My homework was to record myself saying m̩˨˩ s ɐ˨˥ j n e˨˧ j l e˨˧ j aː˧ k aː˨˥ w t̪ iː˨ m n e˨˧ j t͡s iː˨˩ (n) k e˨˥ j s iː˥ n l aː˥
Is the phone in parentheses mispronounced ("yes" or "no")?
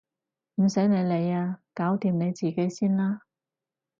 yes